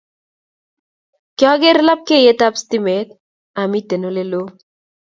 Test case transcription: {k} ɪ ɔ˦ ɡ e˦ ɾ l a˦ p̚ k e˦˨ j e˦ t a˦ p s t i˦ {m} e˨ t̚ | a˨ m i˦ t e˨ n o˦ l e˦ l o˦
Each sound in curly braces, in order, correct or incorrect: correct, correct

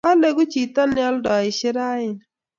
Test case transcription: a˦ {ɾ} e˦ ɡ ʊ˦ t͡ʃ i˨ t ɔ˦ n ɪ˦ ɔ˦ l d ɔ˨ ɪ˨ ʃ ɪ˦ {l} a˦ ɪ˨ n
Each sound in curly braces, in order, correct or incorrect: incorrect: l, incorrect: ɾ

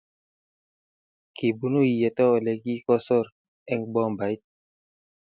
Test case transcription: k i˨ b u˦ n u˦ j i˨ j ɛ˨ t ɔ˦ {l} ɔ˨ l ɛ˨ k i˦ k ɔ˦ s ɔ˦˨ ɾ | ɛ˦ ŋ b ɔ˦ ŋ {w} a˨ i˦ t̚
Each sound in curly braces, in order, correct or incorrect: incorrect: none, incorrect: b

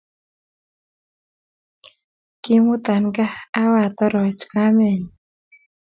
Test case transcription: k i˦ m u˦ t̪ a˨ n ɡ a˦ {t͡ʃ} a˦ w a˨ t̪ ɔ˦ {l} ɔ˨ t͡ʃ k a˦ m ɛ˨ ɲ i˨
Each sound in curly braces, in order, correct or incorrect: incorrect: none, incorrect: ɾ

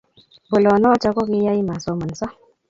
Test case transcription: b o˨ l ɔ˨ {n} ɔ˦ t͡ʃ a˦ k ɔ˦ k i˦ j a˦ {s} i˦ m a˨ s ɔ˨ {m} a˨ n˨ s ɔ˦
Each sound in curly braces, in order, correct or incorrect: correct, incorrect: none, correct

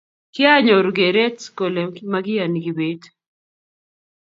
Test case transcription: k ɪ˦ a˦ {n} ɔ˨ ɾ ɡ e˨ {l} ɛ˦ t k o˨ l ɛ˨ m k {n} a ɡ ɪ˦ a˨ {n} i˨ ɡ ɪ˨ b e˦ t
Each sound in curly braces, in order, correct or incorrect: incorrect: ɲ, incorrect: ɾ, incorrect: m, correct

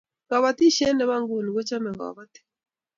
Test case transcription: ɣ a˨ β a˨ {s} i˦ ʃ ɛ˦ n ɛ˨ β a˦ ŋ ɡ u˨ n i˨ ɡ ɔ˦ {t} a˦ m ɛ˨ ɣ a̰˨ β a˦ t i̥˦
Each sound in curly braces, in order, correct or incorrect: incorrect: t, incorrect: t͡ʃ

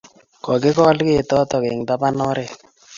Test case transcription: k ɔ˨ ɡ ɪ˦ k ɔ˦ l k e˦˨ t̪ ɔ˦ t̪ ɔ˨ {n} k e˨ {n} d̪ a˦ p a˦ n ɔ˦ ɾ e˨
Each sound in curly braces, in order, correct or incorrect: incorrect: none, incorrect: ŋ

